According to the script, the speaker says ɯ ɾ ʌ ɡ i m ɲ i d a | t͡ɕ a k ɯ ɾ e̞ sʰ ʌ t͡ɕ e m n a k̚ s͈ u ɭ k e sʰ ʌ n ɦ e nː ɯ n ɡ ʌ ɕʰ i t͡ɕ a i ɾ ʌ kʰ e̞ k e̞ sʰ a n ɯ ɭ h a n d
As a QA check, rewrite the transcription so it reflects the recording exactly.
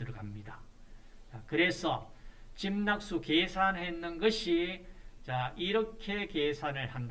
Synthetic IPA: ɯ ɾ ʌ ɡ a m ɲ i d a | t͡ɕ a k ɯ ɾ e̞ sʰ ʌ t͡ɕ i m n a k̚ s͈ u k e sʰ a n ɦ e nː ɯ n ɡ ʌ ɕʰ i t͡ɕ a i ɾ ʌ kʰ e̞ k e̞ sʰ a n ɯ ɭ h a n d